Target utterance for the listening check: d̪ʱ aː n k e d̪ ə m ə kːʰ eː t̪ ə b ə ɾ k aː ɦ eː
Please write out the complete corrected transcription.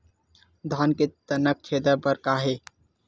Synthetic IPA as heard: d̪ʱ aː n k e t̪ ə n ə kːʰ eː d̪ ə b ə ɾ k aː ɦ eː